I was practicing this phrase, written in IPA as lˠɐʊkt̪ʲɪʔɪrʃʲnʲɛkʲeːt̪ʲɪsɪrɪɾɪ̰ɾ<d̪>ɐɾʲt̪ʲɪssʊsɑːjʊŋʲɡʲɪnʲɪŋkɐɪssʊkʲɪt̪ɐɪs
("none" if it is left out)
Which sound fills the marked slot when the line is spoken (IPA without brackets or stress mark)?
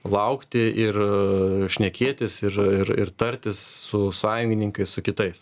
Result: t̪